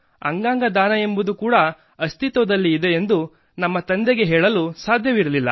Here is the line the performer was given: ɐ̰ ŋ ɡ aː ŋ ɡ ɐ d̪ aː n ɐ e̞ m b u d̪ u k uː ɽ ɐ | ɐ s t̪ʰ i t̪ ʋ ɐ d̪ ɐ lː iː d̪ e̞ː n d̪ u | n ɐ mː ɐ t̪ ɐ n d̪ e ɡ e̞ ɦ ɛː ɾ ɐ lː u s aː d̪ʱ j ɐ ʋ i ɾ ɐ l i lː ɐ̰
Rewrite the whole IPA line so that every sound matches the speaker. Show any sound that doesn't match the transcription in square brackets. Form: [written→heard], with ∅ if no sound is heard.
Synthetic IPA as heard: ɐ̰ ŋ ɡ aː ŋ ɡ ɐ d̪ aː n ɐ e̞ m b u d̪ u k uː ɽ ɐ | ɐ s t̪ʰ i t̪ ʋ ɐ d̪ ɐ lː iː d̪ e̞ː n d̪ u | n ɐ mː ɐ t̪ ɐ n d̪ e ɡ e̞ ɦ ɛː [ɾ→ɭ] ɐ [lː→l] u s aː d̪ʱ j ɐ ʋ i ɾ ɐ l i lː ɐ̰